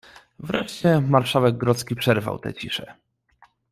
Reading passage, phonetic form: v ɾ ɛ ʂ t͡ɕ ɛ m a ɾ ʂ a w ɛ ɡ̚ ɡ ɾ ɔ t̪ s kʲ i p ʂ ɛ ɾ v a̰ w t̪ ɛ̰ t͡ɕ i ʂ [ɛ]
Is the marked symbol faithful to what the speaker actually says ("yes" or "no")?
yes